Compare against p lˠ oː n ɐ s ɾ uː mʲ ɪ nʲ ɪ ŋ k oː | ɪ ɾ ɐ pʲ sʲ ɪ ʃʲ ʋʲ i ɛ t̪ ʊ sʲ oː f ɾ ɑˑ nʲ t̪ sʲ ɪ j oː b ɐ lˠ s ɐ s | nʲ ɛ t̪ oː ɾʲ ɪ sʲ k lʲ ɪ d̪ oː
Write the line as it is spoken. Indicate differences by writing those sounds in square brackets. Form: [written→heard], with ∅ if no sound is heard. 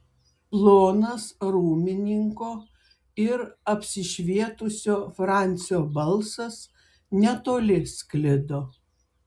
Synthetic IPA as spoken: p lˠ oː n ɐ s ɾ uː mʲ ɪ nʲ ɪ ŋ k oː | ɪ ɾ ɐ pʲ sʲ ɪ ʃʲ ʋʲ i ɛ t̪ ʊ sʲ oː f ɾ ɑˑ nʲ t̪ sʲ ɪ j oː b ɐ lˠ s ɐ s | nʲ ɛ t̪ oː [ɾʲ→lʲ] ɪ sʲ k lʲ ɪ d̪ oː